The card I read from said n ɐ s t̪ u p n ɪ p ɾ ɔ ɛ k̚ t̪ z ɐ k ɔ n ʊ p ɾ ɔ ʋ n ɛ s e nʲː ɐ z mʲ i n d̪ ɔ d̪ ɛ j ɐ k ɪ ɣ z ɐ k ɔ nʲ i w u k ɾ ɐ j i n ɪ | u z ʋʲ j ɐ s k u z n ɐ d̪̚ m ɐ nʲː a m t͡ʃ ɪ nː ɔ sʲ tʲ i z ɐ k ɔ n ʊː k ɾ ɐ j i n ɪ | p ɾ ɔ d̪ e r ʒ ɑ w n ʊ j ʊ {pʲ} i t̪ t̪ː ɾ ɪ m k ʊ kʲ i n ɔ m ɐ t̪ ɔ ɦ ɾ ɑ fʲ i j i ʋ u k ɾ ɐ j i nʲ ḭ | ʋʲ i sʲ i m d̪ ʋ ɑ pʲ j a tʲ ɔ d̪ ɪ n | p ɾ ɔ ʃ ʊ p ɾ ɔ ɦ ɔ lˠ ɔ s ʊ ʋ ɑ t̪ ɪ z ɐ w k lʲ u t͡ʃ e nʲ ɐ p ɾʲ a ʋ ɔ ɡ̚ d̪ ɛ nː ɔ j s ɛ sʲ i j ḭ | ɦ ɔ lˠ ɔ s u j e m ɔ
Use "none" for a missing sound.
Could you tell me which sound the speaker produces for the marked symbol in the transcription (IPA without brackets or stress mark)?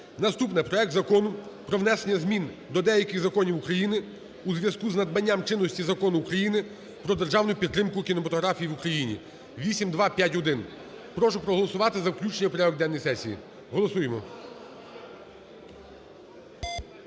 pʲ